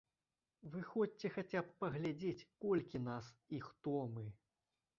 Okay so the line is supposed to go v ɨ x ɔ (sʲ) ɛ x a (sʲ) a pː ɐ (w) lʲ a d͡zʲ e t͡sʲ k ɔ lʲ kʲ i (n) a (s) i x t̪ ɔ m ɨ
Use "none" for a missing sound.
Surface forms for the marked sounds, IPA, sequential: t͡sʲ, t͡sʲ, ɣ, n, s

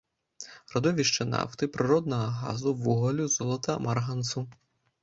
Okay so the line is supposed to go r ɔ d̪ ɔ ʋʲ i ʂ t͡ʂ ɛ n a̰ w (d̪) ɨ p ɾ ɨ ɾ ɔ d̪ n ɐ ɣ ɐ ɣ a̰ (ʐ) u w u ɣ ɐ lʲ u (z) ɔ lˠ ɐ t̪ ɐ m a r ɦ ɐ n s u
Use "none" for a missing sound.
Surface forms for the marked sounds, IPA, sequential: t̪, z, z

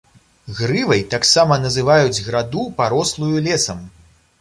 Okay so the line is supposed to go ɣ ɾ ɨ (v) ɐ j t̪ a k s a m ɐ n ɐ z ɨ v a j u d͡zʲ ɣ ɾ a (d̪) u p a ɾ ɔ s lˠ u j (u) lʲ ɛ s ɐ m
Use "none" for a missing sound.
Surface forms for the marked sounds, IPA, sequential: v, d̪, u

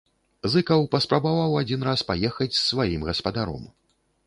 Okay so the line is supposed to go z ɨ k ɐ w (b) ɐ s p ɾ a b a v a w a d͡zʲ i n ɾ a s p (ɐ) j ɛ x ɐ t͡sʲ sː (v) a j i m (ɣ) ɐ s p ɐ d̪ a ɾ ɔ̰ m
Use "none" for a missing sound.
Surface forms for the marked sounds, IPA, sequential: p, a, v, ɣ

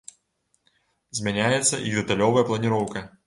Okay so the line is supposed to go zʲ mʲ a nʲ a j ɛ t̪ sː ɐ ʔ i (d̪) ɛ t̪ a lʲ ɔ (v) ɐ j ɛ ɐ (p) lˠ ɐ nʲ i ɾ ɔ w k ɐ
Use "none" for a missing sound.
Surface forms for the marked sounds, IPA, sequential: d̪, v, p

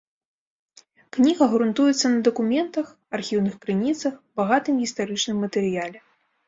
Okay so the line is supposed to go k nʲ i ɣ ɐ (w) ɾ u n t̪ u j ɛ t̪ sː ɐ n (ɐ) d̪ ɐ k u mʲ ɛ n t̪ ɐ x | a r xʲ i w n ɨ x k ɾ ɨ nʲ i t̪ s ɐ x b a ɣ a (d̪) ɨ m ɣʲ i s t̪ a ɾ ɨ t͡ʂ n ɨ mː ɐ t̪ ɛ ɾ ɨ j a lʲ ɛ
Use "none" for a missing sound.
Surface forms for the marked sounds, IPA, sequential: ɣ, ɐ, t̪

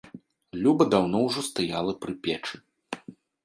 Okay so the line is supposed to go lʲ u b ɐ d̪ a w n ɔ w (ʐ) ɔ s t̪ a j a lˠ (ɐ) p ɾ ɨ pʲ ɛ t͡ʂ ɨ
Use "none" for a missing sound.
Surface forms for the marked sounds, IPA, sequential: ʐ, ɐ

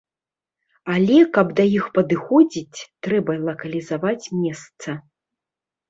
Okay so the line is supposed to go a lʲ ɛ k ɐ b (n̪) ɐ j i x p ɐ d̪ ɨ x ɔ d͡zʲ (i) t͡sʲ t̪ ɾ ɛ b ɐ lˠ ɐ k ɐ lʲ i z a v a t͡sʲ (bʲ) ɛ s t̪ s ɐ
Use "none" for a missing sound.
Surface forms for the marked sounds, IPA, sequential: d̪, i, mʲ

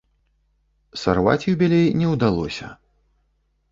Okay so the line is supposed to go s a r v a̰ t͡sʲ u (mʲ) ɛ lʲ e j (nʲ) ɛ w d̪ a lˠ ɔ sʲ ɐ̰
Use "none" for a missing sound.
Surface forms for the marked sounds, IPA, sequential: bʲ, nʲ

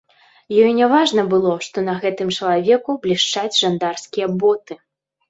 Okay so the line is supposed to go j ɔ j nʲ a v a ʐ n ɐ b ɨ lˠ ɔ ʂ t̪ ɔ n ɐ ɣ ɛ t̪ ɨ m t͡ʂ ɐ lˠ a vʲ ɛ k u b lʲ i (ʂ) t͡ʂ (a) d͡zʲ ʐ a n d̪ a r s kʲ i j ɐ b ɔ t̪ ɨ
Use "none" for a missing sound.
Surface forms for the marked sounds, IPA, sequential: ʂ, a

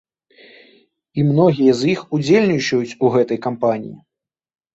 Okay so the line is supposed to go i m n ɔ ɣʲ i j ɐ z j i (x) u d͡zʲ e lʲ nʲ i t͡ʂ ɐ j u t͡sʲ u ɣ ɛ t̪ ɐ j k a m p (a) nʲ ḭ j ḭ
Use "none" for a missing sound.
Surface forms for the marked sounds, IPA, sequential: x, a

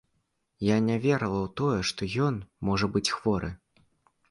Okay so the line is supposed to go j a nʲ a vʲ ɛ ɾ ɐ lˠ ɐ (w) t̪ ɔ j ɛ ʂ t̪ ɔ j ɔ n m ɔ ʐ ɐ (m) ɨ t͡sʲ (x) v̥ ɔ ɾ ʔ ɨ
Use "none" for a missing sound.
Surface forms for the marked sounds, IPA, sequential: w, b, x

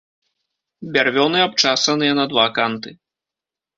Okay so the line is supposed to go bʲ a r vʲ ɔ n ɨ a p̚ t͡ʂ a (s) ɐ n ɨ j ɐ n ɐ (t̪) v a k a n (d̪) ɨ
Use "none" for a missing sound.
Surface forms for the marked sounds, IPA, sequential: s, d̪, t̪

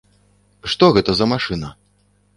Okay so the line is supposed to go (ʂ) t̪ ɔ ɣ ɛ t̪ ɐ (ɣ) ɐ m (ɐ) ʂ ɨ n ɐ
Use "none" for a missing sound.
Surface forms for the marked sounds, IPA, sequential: ʂ, z, a

